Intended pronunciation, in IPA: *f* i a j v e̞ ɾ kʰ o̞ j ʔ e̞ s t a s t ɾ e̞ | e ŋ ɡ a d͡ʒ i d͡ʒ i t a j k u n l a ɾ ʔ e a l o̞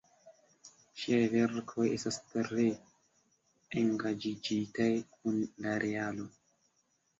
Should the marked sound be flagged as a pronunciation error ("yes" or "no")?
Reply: yes